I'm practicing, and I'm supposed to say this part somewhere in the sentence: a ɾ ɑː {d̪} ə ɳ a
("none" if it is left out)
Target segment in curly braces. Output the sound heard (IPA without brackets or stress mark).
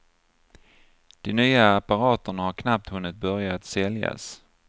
t̪